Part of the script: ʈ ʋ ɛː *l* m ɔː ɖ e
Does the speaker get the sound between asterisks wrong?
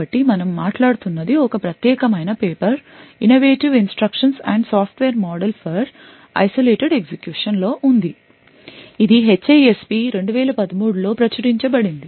yes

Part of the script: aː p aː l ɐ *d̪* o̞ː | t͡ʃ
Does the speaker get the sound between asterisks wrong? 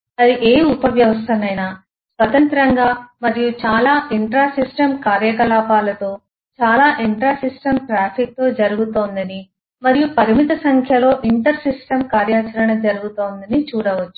yes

